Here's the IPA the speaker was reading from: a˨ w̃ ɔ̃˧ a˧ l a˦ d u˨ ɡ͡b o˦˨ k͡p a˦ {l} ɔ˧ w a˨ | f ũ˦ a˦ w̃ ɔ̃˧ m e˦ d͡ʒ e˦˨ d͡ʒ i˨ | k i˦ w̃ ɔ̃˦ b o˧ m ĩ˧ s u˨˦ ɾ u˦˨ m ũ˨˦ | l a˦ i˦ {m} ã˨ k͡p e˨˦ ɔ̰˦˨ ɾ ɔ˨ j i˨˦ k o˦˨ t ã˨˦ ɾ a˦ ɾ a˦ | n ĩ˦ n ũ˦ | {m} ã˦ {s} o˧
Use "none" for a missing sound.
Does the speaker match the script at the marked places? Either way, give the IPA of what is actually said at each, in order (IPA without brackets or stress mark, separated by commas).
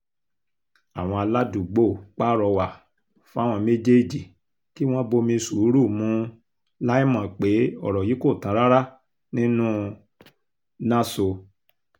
ɾ, m, n, s